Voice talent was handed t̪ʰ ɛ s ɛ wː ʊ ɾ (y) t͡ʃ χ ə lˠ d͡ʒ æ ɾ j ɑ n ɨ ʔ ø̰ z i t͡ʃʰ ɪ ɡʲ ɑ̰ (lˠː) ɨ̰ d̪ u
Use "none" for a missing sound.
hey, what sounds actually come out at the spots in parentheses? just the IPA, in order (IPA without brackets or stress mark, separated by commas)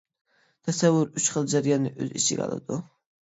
y, lˠ